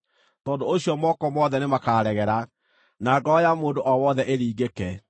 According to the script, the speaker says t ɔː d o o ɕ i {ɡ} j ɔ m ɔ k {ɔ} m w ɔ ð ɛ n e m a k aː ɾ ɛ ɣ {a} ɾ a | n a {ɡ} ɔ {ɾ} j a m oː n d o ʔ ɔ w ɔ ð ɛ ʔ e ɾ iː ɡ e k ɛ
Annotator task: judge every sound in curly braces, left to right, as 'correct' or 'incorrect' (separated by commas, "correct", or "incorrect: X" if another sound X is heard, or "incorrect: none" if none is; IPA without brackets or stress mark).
incorrect: none, correct, incorrect: ɛ, correct, incorrect: none